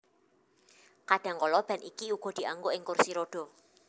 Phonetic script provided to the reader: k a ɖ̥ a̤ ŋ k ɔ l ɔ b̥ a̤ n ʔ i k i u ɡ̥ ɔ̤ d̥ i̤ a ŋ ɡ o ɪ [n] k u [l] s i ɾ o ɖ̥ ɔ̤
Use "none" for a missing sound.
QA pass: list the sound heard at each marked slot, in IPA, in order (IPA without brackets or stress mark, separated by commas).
ŋ, r